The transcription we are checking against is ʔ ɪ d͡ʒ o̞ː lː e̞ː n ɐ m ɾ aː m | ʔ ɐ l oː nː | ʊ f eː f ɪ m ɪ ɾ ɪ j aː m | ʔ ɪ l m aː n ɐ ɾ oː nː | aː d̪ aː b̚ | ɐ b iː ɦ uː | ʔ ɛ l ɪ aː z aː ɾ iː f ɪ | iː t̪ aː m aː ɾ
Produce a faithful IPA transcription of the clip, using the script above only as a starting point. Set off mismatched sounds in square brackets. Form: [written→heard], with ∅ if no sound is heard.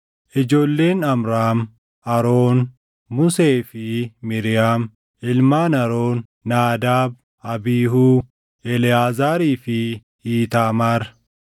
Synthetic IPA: ʔ ɪ d͡ʒ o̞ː lː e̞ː n ɐ m ɾ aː m | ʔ ɐ [l→ɾ] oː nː | ʊ [f→s] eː f ɪ m ɪ ɾ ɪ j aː m | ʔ ɪ l m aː n ɐ ɾ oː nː | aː d̪ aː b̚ | ɐ b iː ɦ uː | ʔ ɛ l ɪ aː z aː ɾ iː f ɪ | iː t̪ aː m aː ɾ